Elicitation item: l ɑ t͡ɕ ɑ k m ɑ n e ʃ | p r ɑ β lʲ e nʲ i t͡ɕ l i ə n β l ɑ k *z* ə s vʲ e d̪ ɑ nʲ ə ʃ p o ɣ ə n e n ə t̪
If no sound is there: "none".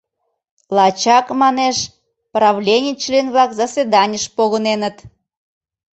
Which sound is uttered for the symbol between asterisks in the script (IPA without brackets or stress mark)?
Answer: z